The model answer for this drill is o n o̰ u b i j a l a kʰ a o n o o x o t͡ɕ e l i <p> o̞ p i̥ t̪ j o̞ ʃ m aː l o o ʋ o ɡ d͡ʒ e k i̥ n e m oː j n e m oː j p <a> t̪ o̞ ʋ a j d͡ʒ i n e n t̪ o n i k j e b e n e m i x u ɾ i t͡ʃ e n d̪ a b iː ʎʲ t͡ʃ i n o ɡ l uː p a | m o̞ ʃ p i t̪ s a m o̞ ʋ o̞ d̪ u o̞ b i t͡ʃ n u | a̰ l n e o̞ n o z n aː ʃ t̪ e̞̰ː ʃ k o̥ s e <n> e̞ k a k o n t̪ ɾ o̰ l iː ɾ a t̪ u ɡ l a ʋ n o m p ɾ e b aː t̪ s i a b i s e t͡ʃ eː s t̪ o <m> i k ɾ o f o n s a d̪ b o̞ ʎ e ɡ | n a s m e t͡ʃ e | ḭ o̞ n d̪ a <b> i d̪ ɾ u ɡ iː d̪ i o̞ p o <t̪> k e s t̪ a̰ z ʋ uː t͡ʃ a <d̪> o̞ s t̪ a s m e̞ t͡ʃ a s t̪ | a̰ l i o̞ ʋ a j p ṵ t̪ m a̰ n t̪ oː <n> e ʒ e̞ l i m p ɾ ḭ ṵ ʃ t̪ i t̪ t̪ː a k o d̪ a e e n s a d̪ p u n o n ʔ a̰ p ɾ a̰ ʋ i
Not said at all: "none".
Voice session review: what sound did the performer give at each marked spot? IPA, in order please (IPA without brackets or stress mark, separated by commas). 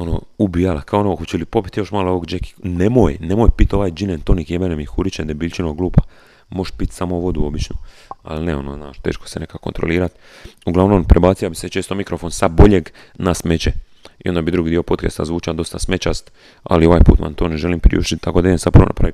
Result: p, i, n, m, b, t̪, d̪, n